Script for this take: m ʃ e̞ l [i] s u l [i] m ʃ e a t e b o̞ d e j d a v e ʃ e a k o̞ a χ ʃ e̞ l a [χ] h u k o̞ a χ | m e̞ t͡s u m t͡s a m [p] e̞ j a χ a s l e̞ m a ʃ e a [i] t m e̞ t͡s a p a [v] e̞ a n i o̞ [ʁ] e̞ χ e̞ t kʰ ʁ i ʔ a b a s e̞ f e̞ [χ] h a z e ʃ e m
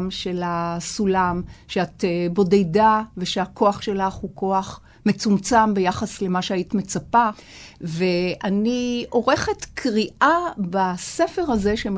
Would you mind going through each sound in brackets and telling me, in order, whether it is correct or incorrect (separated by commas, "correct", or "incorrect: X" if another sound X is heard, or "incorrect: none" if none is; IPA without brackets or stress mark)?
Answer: incorrect: a, incorrect: a, correct, incorrect: b, correct, correct, correct, incorrect: ʁ